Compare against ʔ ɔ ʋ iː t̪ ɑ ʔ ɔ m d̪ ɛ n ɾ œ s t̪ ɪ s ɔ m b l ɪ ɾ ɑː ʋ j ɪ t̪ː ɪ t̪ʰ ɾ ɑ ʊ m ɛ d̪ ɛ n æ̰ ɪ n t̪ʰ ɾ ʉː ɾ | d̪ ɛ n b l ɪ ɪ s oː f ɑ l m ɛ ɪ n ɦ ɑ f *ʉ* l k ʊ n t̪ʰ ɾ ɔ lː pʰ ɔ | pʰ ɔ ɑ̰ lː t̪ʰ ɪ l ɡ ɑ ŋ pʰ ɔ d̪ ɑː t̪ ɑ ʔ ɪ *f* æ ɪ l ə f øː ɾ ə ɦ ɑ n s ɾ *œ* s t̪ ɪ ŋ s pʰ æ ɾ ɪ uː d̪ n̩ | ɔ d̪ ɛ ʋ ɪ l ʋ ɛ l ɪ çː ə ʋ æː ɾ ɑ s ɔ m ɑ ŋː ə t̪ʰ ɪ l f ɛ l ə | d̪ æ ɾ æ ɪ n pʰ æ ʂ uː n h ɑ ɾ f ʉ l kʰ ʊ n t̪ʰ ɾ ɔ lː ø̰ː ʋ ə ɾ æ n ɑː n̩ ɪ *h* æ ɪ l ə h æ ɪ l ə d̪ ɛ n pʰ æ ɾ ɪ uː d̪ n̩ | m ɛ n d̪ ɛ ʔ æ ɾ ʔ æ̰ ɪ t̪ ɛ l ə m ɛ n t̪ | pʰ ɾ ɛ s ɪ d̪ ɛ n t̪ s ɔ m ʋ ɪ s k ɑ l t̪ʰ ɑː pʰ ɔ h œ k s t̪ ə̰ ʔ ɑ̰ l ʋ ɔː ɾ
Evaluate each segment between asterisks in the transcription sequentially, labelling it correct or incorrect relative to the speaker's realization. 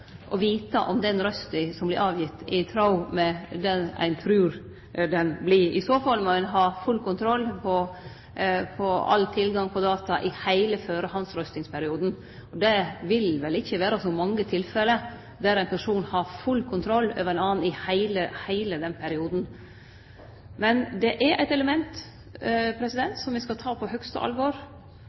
correct, incorrect: h, correct, correct

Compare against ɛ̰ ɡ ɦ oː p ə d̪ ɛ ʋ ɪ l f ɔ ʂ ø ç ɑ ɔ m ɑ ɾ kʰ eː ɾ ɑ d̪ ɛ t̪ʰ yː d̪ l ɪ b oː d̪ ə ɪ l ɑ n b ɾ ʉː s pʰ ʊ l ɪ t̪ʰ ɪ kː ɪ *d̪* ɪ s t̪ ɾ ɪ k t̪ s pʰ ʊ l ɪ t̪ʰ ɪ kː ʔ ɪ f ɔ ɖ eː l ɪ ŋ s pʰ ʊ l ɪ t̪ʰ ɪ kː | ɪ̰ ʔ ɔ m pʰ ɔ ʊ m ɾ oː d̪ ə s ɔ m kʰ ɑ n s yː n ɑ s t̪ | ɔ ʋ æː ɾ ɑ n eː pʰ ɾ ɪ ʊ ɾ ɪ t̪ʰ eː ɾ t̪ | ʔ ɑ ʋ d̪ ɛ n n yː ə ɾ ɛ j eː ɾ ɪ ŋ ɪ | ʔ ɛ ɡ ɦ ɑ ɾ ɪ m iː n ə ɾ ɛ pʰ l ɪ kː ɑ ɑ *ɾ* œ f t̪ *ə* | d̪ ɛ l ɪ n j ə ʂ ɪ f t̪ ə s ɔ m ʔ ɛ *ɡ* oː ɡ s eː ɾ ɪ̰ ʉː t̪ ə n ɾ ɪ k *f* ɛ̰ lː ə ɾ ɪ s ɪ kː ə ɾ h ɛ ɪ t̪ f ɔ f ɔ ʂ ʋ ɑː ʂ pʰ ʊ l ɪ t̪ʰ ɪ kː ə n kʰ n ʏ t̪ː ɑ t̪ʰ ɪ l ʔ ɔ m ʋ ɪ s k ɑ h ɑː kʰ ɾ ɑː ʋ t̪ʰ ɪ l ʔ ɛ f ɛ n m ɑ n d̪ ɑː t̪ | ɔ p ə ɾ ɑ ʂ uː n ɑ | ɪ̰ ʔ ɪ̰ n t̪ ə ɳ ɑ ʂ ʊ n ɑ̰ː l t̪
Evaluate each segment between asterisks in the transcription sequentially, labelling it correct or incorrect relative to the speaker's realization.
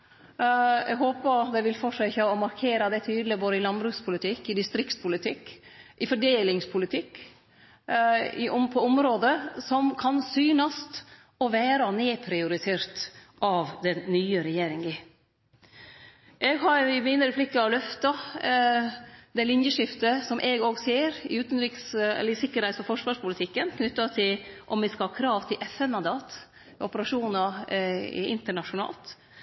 correct, incorrect: l, incorrect: ɑ, correct, incorrect: s

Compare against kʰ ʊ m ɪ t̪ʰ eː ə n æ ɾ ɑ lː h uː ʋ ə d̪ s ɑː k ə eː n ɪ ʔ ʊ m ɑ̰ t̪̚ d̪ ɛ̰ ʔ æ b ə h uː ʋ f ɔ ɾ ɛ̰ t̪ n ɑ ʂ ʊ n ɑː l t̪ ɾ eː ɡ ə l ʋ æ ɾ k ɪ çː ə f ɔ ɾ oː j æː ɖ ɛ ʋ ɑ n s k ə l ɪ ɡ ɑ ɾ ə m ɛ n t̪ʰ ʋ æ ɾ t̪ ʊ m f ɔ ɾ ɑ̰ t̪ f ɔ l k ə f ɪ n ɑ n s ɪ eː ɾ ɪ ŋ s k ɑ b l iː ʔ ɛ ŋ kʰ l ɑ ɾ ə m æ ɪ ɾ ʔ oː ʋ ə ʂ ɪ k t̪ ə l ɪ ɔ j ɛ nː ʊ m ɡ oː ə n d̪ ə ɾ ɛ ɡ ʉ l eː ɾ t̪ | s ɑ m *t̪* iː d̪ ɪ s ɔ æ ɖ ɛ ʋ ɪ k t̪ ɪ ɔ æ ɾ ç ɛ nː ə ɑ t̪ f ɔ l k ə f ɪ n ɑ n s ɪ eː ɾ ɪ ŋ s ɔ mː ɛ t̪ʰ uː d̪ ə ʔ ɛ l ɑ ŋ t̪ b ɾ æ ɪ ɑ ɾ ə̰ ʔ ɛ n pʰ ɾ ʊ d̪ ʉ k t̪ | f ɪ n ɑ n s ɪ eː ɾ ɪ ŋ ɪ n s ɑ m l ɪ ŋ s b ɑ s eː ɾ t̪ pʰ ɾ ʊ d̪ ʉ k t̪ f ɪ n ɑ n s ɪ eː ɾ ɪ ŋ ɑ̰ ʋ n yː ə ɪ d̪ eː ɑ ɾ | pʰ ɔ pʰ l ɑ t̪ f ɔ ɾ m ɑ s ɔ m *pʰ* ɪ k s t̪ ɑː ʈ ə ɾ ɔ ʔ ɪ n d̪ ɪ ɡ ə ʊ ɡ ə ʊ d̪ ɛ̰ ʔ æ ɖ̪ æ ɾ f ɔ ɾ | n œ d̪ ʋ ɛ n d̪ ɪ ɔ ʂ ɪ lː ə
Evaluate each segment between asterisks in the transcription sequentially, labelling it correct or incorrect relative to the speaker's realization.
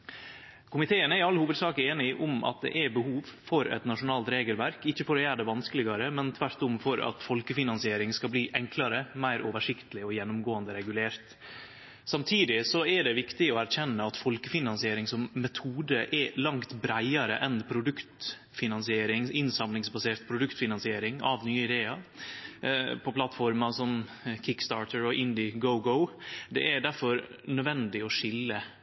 incorrect: t̪ʰ, incorrect: kʰ

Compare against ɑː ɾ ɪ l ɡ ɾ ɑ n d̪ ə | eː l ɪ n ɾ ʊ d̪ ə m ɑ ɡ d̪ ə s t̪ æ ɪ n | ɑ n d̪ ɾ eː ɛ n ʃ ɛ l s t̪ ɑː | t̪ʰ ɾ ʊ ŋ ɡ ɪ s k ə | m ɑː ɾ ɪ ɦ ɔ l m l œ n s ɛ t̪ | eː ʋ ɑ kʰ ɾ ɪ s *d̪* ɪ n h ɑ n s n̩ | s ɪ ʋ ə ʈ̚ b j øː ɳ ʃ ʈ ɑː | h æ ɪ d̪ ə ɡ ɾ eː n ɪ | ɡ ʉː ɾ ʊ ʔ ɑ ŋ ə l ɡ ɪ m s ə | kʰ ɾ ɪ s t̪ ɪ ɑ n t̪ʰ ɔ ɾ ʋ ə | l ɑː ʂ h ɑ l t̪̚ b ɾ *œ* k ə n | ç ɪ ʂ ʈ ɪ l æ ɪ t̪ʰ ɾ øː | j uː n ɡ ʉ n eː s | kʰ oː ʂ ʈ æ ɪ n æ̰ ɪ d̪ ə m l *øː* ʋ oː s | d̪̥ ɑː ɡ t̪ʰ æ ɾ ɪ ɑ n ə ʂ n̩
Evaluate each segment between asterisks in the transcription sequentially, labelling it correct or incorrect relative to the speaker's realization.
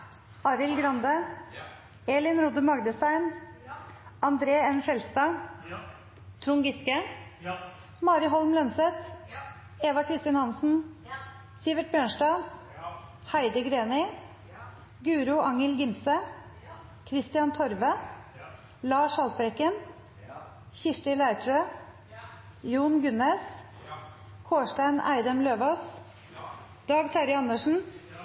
incorrect: t̪, incorrect: ɛ, correct

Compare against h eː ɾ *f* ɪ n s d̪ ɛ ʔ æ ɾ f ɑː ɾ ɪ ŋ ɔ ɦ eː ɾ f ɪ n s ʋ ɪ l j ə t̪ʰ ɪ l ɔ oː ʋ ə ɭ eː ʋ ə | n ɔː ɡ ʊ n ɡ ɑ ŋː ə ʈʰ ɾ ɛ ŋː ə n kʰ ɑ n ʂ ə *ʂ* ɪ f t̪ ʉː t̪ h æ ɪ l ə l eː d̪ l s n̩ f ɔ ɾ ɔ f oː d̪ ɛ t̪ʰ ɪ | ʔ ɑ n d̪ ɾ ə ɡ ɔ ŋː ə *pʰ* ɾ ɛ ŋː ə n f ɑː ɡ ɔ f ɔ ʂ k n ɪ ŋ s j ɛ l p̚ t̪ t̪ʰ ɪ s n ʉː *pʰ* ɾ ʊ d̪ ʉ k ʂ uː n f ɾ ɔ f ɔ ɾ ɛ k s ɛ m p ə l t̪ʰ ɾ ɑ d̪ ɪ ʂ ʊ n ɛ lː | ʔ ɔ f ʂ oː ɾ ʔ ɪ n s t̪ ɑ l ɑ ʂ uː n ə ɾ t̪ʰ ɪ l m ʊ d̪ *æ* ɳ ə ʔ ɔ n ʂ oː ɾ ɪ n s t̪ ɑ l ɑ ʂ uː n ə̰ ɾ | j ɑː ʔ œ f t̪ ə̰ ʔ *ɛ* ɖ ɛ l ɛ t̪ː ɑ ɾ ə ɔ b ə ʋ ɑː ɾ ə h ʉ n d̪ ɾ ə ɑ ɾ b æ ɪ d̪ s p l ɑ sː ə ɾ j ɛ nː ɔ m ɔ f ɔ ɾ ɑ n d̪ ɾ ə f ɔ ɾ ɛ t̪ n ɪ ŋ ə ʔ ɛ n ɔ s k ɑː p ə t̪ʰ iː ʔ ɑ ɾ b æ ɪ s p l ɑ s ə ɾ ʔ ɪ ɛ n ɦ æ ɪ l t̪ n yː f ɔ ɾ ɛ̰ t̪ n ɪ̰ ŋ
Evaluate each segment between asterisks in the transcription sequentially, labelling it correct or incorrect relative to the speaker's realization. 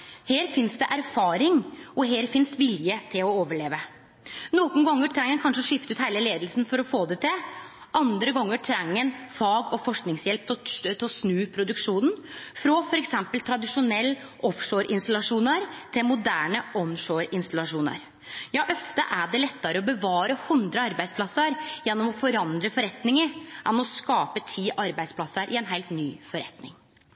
correct, correct, incorrect: ʈʰ, correct, incorrect: æː, incorrect: æ

